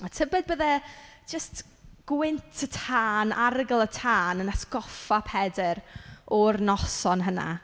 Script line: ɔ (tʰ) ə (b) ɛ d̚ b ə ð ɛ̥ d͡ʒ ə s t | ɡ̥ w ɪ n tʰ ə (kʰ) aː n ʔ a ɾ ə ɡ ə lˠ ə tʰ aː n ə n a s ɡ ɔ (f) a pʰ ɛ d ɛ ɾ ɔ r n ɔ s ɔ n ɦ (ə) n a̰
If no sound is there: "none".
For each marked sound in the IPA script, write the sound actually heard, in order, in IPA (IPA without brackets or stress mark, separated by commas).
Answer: tʰ, b, tʰ, f, ə